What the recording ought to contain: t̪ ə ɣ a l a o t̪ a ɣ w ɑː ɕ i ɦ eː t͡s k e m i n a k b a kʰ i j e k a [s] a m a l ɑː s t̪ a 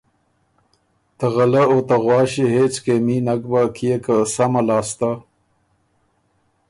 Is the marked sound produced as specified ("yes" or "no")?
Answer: yes